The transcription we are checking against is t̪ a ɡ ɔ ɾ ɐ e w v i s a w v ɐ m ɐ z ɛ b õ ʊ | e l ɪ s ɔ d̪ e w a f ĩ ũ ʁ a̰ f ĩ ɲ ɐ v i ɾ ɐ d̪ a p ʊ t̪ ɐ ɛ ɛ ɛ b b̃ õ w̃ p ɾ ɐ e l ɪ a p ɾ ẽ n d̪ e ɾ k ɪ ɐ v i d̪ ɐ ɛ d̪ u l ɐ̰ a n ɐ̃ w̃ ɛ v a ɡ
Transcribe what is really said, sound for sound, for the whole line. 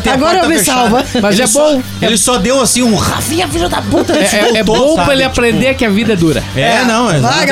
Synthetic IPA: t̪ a ɡ ɔ ɾ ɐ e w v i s a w v ɐ m ɐ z ɛ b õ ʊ | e l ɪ s ɔ d̪ e w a s ĩ ũ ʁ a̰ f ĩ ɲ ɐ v i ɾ ɐ d̪ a p u t̪ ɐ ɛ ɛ ɛ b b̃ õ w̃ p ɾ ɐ e l ɪ a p ɾ ẽ n d̪ e ɾ k ɪ ɐ v i d̪ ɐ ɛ d̪ u ɾ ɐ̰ ɛ n ɐ̃ w̃ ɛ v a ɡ